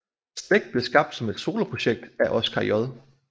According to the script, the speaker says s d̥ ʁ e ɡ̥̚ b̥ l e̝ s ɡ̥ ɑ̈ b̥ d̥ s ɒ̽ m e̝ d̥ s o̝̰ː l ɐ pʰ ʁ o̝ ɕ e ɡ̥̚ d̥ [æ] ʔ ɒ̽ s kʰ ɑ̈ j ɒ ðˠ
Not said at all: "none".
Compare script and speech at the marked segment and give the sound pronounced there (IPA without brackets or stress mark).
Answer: æ